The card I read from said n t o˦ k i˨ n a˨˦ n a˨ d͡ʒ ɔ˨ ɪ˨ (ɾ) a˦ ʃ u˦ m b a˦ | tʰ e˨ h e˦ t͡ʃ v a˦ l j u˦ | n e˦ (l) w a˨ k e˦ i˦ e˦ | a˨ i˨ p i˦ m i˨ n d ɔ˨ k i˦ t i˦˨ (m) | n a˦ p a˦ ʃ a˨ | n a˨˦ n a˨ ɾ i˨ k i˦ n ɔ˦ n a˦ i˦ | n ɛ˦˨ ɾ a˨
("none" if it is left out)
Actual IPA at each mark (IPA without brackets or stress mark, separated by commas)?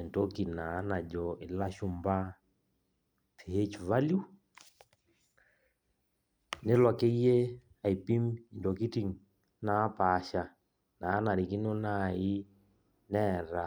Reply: l, l, ŋ